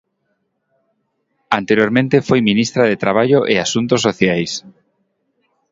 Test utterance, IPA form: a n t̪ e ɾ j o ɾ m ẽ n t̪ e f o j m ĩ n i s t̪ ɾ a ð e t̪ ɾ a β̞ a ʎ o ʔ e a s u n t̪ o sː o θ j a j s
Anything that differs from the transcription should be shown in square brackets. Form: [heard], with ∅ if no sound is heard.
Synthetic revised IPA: a n t̪ e ɾ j o ɾ m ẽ n t̪ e f o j m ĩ n i s t̪ ɾ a ð e t̪ ɾ a β̞ a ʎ o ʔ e a s u n t̪ o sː o θ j a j s